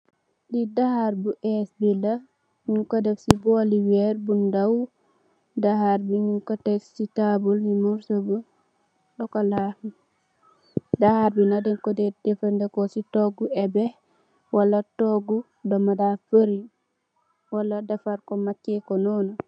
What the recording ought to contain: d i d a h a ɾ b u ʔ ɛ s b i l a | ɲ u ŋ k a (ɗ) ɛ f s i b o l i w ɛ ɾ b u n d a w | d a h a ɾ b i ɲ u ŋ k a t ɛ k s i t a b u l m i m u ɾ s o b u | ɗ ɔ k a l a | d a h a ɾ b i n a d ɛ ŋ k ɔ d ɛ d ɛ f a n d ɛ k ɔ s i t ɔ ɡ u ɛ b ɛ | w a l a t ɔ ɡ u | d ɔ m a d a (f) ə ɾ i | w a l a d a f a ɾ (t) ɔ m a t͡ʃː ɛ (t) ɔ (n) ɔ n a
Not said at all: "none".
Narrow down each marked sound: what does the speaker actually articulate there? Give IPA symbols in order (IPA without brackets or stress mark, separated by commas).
d, f, k, k, n